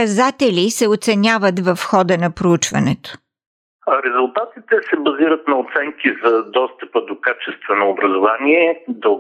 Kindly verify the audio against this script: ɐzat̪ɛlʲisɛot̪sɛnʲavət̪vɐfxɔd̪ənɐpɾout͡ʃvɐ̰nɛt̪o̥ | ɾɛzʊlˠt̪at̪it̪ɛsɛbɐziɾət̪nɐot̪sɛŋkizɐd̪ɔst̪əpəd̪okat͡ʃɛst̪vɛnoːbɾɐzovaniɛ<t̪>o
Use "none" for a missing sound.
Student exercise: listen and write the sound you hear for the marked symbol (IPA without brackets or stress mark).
d̪